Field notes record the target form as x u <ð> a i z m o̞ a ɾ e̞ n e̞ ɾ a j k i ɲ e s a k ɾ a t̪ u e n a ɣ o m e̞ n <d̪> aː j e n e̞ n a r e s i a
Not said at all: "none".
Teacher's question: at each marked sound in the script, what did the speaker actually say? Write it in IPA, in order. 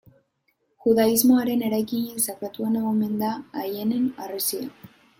ð, d̪

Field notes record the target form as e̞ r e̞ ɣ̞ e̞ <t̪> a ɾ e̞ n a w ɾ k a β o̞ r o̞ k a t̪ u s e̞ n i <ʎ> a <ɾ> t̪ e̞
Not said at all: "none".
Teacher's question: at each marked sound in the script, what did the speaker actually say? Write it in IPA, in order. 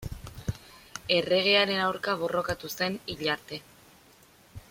none, ʎ, ɾ

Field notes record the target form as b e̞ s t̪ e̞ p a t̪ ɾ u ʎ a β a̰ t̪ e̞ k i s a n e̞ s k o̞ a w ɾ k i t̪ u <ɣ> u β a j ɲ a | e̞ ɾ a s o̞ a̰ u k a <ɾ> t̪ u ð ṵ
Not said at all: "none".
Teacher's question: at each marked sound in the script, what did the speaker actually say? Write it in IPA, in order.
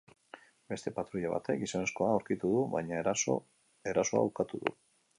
ð, none

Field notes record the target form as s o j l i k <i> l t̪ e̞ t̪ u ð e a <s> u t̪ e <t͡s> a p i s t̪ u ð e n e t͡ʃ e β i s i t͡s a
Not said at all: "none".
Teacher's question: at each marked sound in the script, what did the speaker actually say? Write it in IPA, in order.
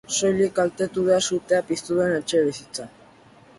a, s, none

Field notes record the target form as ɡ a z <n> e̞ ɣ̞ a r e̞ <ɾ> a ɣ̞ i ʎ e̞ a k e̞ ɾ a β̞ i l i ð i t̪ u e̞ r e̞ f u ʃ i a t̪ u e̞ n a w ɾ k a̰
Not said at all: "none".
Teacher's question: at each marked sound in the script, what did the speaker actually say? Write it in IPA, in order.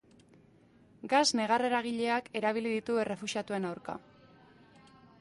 n, ɾ

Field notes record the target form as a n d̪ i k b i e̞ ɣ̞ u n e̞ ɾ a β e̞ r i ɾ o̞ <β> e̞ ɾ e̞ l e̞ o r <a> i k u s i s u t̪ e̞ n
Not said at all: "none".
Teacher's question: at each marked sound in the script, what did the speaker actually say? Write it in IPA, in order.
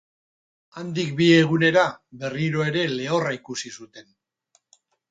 none, a

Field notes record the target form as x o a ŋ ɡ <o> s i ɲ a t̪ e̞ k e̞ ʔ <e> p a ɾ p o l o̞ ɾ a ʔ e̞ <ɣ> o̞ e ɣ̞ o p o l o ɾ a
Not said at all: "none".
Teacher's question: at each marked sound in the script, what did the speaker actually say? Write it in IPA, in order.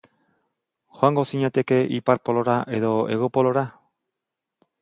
o, i, ð

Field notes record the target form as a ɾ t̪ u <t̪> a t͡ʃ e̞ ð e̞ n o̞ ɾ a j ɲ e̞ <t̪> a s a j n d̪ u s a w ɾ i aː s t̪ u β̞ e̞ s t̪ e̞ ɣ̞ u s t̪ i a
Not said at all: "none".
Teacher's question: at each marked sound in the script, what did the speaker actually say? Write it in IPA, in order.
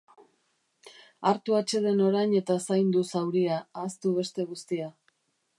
none, t̪

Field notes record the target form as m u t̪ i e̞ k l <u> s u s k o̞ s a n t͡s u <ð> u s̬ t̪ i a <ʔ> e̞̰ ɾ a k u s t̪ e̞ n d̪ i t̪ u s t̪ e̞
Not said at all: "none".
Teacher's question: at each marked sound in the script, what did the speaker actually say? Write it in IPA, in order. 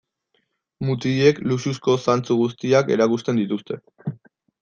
u, ɣ, k

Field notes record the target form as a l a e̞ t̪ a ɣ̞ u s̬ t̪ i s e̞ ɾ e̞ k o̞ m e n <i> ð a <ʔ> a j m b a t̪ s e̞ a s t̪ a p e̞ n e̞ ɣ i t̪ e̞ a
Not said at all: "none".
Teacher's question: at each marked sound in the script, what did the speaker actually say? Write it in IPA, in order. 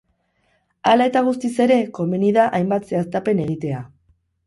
i, ʔ

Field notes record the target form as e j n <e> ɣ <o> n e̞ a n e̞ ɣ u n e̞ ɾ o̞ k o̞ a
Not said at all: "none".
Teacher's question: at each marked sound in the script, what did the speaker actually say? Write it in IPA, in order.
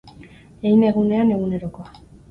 e, u

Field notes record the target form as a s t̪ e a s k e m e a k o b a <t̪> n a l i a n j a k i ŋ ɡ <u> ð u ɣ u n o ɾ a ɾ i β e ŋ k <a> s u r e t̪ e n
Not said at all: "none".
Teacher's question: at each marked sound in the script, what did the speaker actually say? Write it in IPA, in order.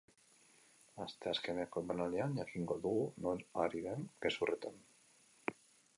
none, o, e

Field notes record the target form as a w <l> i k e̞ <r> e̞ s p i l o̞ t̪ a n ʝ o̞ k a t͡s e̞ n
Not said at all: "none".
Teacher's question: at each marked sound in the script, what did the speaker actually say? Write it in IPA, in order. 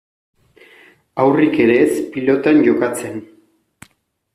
r, ɾ

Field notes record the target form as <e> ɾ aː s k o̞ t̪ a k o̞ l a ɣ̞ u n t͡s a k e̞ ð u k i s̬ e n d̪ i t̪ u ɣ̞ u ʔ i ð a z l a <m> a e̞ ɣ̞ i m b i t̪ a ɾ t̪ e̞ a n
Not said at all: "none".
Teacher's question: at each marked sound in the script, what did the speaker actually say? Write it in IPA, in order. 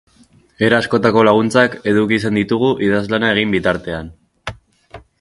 e, n

